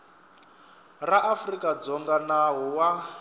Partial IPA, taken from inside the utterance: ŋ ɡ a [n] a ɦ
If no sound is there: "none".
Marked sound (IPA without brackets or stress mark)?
n